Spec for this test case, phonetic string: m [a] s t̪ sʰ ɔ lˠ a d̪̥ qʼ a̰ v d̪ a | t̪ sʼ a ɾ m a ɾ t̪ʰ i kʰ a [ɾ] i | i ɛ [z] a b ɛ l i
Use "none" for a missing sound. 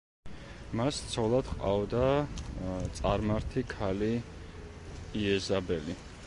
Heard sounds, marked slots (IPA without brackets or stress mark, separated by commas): a, l, z